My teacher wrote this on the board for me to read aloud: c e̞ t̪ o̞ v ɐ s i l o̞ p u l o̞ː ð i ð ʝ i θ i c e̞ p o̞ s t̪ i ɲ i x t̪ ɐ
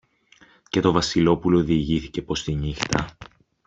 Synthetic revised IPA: c e̞ t̪ o̞ v ɐ s i l o̞ p u l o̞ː ð i ʝ i θ i c e̞ p o̞ s t̪ i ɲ i x t̪ ɐ